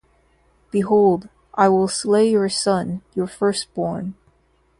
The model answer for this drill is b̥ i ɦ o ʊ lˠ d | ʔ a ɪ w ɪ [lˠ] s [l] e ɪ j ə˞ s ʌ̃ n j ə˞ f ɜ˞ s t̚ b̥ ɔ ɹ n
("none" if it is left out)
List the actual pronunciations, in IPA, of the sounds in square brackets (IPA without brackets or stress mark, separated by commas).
lˠ, l